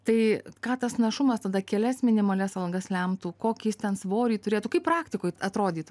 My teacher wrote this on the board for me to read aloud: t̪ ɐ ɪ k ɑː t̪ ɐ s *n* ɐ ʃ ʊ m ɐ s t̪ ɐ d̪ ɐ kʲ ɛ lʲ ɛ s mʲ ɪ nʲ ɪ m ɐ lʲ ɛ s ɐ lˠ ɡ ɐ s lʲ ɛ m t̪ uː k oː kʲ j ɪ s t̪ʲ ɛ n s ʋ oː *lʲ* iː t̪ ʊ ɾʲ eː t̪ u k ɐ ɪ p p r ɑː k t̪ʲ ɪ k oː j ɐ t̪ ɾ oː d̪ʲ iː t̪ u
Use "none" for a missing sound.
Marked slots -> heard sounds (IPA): n, ɾʲ

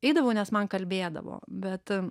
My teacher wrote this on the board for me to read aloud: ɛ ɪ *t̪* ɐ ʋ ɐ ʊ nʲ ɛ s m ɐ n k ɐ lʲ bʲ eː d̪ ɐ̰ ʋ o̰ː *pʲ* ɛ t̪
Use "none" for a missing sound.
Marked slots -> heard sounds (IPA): d̪, bʲ

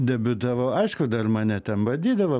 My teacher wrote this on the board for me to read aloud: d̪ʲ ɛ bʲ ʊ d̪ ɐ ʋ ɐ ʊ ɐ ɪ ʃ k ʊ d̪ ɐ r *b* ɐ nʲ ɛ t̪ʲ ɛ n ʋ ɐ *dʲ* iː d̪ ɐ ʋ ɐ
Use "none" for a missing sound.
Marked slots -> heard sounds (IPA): m, dʲ

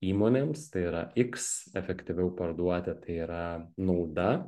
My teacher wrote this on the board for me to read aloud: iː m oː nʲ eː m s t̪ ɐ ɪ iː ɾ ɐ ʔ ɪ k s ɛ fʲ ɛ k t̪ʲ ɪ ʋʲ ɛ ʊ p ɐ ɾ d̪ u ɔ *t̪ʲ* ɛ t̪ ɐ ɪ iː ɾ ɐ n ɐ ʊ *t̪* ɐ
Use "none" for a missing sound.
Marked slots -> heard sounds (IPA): t̪ʲ, d̪

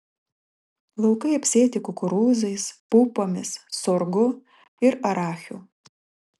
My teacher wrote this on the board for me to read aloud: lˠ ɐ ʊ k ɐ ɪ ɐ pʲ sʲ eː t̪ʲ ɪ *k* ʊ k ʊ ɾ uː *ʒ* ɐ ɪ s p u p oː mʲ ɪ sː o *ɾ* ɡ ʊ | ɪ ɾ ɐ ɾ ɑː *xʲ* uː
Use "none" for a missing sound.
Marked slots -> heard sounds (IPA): k, z, ɾ, xʲ

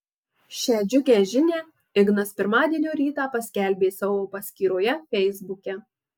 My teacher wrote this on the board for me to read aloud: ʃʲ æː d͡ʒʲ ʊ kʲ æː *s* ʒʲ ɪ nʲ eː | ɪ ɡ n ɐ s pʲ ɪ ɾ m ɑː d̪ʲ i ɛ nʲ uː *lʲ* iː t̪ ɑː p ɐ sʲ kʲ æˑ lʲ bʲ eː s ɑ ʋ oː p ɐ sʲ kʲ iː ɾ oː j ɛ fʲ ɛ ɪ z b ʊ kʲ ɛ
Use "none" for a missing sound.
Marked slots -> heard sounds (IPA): none, ɾʲ

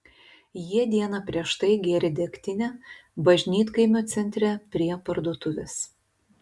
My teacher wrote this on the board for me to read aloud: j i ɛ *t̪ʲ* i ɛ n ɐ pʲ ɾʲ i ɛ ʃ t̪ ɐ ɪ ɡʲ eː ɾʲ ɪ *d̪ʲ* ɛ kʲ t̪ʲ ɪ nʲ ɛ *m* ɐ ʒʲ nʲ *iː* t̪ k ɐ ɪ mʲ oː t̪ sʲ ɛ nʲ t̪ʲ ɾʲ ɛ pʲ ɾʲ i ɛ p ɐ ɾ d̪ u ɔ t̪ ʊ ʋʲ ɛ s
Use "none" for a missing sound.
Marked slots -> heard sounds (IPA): d̪ʲ, d̪ʲ, b, iː

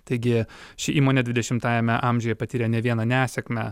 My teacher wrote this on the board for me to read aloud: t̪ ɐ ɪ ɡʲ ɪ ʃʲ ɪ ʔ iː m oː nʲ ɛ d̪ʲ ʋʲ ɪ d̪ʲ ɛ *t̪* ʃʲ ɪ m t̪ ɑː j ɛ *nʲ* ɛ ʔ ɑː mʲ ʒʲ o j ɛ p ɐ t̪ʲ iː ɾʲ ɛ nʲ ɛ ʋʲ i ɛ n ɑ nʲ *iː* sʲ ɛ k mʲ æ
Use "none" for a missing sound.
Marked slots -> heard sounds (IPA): none, mʲ, æː

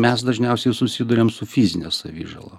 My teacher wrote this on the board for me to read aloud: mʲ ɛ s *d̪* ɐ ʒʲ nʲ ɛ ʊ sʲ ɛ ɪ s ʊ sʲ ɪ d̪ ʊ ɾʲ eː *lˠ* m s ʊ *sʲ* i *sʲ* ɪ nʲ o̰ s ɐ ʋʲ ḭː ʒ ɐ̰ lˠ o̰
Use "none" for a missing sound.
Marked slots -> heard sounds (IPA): d̪, none, fʲ, zʲ

